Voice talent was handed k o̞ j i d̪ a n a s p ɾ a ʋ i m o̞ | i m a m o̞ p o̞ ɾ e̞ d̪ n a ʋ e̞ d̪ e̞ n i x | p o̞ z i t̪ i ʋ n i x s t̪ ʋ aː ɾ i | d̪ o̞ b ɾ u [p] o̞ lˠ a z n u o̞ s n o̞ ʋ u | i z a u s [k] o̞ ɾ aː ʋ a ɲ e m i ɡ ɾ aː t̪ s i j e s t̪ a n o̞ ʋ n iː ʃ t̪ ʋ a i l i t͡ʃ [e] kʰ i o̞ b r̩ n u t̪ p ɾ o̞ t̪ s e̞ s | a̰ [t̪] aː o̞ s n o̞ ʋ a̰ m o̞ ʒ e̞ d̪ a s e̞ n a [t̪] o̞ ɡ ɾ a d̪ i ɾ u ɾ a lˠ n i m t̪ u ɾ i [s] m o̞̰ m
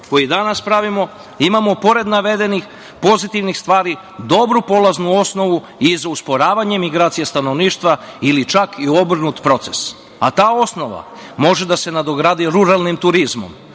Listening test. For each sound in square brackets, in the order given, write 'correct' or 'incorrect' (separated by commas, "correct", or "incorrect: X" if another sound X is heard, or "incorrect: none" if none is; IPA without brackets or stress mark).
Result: correct, incorrect: p, incorrect: a, correct, incorrect: d̪, incorrect: z